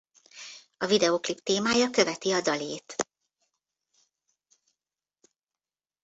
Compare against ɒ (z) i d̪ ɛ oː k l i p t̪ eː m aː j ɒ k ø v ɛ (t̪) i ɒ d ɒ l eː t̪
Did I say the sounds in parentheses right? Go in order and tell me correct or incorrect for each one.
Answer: incorrect: v, correct

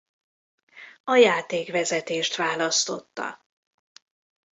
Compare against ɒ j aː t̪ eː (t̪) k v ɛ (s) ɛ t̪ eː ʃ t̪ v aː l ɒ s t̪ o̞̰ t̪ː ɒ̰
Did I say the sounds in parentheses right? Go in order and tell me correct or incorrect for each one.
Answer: incorrect: none, incorrect: z

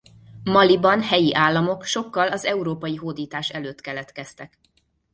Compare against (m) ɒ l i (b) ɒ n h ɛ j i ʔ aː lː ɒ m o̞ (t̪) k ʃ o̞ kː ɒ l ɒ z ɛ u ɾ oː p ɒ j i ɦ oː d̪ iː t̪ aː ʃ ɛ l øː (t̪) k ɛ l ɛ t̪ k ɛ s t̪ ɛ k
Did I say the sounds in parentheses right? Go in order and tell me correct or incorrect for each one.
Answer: correct, correct, incorrect: none, correct

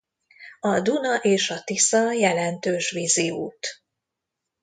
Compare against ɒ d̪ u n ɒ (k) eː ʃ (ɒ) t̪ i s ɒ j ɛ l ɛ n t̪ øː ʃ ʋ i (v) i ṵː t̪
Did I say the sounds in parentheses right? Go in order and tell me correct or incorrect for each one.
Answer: incorrect: ʔ, correct, incorrect: z

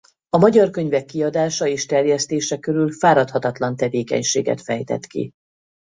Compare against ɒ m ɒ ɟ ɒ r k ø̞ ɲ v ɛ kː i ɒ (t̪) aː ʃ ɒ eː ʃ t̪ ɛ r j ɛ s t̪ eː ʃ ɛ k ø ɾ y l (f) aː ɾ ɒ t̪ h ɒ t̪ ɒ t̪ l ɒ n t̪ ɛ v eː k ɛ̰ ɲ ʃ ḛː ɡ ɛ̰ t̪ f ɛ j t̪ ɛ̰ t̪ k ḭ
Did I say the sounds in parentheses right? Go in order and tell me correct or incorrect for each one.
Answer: incorrect: d̪, correct

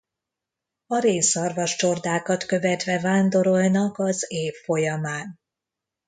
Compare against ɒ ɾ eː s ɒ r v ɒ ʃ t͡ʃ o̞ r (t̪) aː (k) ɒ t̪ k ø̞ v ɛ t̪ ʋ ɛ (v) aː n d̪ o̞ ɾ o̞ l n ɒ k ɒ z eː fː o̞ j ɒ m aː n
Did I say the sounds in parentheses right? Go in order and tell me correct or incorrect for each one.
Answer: incorrect: d̪, correct, correct

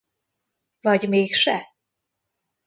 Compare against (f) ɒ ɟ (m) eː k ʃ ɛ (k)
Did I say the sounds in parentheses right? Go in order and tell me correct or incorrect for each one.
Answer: incorrect: v, correct, incorrect: none

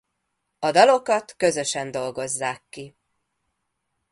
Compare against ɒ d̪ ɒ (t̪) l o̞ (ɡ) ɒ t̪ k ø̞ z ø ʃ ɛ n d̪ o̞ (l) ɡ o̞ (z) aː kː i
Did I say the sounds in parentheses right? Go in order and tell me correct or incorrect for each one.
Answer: incorrect: none, incorrect: k, correct, incorrect: zː

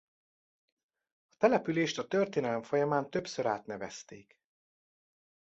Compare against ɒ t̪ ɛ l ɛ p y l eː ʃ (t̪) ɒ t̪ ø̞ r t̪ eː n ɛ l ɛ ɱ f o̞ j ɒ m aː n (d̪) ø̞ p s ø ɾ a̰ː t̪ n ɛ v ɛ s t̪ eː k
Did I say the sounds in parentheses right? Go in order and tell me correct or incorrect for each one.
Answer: correct, incorrect: t̪

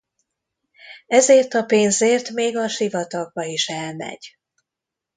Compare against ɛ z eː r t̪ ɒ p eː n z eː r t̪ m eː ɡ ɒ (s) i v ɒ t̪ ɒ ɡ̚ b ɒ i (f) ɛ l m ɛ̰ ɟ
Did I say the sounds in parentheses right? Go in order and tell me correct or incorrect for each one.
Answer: incorrect: ʃ, incorrect: ʃ

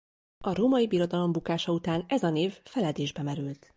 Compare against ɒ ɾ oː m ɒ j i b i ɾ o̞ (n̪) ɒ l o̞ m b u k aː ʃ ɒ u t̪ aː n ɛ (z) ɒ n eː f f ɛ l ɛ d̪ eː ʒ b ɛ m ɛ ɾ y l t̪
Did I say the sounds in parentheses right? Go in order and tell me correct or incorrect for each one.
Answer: incorrect: d̪, correct

